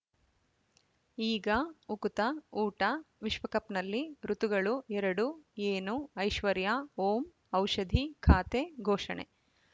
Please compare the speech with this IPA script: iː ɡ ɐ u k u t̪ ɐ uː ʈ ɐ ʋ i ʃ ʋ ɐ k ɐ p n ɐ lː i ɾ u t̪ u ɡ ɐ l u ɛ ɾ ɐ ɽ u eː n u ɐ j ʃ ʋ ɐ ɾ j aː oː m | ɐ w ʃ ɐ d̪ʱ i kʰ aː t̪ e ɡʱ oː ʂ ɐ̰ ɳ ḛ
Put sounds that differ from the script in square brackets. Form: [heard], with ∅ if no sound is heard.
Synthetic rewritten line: iː ɡ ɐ u k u t̪ ɐ uː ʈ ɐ ʋ i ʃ ʋ ɐ k ɐ p n ɐ lː i ɾ u t̪ u ɡ ɐ [ɭ] u ɛ ɾ ɐ ɽ u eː n u ɐ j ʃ ʋ ɐ ɾ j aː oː m | ɐ w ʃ ɐ d̪ʱ i kʰ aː t̪ e ɡʱ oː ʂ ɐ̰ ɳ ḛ

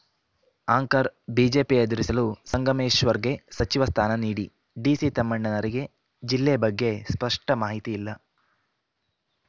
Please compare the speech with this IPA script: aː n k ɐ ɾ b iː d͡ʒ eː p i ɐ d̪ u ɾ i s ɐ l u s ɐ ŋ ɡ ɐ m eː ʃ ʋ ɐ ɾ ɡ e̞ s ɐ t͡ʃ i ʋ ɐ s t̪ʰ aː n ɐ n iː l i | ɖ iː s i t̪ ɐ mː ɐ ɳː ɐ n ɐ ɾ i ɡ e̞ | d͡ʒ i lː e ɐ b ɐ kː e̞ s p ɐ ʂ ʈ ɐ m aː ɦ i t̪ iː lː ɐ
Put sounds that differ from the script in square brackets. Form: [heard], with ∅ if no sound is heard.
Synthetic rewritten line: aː [ŋ] k ɐ ɾ b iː d͡ʒ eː p i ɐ d̪ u ɾ i s ɐ l u s ɐ ŋ ɡ ɐ m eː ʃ ʋ ɐ ɾ ɡ e̞ s ɐ t͡ʃ i ʋ ɐ s t̪ʰ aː n ɐ n iː [ɽ] i | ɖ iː s i t̪ ɐ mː ɐ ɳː ɐ n ɐ ɾ i ɡ e̞ | d͡ʒ i lː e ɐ b ɐ [ɡː] e̞ s p ɐ ʂ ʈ ɐ m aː ɦ i t̪ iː lː ɐ

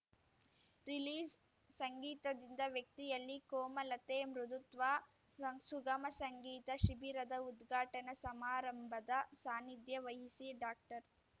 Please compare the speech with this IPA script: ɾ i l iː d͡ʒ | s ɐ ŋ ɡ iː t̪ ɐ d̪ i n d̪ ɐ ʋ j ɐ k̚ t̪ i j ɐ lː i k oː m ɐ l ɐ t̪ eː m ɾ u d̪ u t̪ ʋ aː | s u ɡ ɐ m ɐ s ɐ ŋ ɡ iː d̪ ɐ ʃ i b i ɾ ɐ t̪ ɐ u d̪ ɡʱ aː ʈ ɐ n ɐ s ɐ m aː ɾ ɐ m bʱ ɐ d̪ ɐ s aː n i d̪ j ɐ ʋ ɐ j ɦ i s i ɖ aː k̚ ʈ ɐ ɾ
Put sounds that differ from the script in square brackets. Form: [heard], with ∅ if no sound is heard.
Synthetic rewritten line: ɾ i l iː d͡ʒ | s ɐ ŋ ɡ iː t̪ ɐ d̪ i n d̪ ɐ ʋ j ɐ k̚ t̪ i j ɐ lː i k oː m ɐ l ɐ t̪ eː m ɾ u d̪ u t̪ ʋ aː | s u ɡ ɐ m ɐ s ɐ ŋ ɡ iː [t̪] ɐ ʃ i b i ɾ ɐ [d̪] ɐ u d̪ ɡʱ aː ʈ ɐ n ɐ s ɐ m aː ɾ ɐ m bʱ ɐ d̪ ɐ s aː n i d̪ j ɐ ʋ ɐ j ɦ i s i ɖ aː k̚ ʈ ɐ ɾ

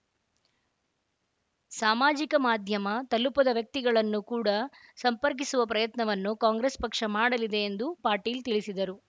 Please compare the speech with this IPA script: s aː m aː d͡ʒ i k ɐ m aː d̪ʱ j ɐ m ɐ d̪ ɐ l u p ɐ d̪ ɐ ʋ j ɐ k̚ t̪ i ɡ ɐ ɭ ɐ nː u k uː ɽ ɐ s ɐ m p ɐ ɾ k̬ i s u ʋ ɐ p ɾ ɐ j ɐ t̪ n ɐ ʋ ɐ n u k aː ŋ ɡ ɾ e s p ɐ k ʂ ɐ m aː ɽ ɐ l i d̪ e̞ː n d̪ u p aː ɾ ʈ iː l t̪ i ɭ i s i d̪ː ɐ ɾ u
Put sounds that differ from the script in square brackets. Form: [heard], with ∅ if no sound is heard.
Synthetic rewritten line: s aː m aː d͡ʒ i k ɐ m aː d̪ʱ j ɐ m ɐ [t̪] ɐ l u p ɐ d̪ ɐ ʋ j ɐ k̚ t̪ i ɡ ɐ ɭ ɐ nː u k uː ɽ ɐ s ɐ m p ɐ ɾ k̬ i s u ʋ ɐ p ɾ ɐ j ɐ t̪ n ɐ ʋ ɐ [nː] u k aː ŋ ɡ ɾ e s p ɐ k ʂ ɐ m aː ɽ ɐ l i d̪ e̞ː n d̪ u p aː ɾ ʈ iː l t̪ i ɭ i s i [d̪] ɐ ɾ u

